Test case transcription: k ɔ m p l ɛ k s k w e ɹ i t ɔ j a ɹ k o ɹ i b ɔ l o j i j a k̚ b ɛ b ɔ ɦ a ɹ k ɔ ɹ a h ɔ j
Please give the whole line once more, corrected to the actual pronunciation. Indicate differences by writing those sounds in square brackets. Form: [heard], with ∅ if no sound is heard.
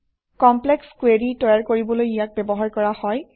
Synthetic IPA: k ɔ m p l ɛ k s k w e ɹ i t ɔ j a ɹ k o ɹ i b ɔ l o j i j a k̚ b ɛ b ɔ ɦ a ɹ k ɔ ɹ a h ɔ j